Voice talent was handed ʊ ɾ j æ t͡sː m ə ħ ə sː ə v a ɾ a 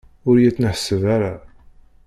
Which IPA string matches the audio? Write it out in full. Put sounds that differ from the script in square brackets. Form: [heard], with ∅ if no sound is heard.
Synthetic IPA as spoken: ʊ ɾ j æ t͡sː [n] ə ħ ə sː ə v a ɾ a